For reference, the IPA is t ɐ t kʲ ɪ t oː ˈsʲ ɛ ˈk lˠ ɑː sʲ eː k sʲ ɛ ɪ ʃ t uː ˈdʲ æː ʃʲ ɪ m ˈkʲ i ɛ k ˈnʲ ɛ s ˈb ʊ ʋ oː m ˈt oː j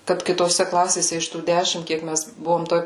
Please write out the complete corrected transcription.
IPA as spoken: k ɐ t kʲ ɪ t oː ˈsʲ ɛ ˈk lˠ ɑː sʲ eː sʲ ɛ ɪ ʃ t uː ˈdʲ æː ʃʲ ɪ m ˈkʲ i ɛ k ˈmʲ ɛ s ˈb ʊ ʋ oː m ˈt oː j